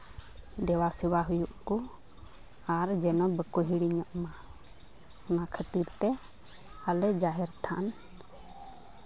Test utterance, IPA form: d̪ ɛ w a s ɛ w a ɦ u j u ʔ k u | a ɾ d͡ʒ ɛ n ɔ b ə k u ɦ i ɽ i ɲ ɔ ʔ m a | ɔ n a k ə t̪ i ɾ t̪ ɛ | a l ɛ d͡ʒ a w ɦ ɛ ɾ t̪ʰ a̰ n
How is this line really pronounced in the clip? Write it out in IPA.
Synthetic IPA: d̪ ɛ w a s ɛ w a ɦ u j u ʔ k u | a ɾ d͡ʒ ɛ n ɔ b ə k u ɦ i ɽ i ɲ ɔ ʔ m a | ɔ n a kʰ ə t̪ i ɾ t̪ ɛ | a l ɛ d͡ʒ a ɦ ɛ ɾ t̪ʰ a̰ n